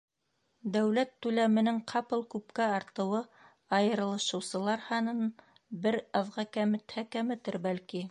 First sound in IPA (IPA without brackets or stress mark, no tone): d̪